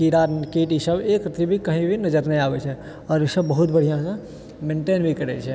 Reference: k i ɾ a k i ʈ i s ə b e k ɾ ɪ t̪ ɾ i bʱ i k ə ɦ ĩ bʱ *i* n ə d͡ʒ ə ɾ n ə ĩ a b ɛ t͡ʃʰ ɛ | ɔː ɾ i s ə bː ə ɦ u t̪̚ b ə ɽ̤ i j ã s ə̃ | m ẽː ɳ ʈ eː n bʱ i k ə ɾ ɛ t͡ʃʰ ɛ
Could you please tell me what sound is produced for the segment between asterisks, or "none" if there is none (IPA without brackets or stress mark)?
i